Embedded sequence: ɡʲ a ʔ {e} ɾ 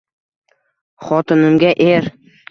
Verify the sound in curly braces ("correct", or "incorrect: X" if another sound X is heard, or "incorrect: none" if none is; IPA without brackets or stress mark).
correct